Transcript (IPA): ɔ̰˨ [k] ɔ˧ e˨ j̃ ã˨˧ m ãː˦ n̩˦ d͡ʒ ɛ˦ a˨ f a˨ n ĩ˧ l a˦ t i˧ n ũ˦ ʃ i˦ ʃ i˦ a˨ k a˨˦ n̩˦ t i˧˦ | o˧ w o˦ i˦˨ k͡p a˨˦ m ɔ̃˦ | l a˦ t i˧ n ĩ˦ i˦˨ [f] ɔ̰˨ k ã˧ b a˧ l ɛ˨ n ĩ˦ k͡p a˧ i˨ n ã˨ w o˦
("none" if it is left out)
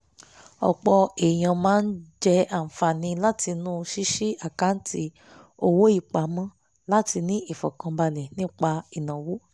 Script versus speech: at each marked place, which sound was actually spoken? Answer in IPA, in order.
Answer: k͡p, f

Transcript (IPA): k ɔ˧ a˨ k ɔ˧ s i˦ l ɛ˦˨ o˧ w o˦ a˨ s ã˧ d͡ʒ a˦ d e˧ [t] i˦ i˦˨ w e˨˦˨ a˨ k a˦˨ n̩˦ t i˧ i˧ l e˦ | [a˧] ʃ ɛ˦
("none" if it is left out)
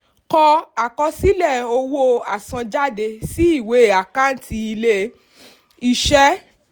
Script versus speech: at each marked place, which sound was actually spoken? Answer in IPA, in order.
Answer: s, i˧

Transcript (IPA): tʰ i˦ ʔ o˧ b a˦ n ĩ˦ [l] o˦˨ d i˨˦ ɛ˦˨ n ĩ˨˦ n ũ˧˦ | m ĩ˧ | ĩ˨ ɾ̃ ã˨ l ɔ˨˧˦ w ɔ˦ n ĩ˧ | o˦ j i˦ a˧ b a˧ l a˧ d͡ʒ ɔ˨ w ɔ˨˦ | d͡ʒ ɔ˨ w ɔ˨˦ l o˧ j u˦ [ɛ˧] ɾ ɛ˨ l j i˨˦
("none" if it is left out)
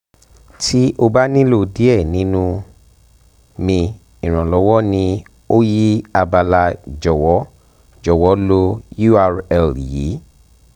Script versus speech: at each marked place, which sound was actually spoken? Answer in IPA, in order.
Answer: l, a˧

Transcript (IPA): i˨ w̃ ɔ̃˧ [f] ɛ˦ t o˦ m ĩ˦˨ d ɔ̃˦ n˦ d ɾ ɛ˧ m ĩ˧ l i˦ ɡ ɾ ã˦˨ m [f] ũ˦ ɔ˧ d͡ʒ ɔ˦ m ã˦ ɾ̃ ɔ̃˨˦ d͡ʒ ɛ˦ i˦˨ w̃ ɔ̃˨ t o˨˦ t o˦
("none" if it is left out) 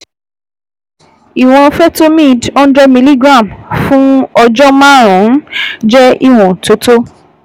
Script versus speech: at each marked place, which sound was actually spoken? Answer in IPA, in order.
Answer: f, f

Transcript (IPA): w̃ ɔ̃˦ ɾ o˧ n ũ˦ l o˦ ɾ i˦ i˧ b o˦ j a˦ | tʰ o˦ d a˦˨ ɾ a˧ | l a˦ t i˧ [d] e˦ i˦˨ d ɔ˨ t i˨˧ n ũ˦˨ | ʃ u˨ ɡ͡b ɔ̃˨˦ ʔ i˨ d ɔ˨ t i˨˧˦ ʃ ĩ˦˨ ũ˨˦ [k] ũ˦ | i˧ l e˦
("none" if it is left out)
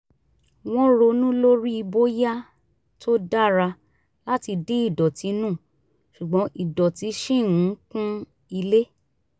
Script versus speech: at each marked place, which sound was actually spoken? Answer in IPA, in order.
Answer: d, k

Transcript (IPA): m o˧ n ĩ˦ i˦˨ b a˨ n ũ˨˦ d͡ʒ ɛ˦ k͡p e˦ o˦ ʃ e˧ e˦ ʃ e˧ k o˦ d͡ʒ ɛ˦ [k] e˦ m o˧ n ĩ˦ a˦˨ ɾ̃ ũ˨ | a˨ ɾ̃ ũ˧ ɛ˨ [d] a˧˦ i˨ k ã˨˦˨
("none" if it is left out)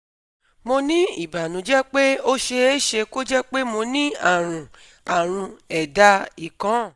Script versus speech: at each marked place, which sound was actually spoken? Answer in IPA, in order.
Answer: k͡p, d

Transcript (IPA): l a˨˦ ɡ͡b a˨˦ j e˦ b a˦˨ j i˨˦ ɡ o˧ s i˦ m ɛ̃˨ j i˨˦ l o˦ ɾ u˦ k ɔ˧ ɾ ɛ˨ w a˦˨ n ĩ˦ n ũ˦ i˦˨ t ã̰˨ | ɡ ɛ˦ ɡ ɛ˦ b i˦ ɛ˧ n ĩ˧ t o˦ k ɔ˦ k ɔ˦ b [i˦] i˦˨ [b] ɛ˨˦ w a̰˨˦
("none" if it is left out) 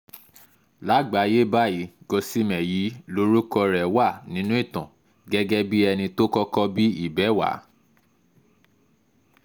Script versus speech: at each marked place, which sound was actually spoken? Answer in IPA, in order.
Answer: i˦, b

